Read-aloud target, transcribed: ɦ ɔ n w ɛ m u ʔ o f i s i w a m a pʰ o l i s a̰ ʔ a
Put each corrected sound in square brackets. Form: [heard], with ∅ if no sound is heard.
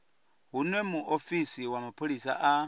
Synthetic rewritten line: ɦ [u] n w ɛ m u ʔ o f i s i w a m a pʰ o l i s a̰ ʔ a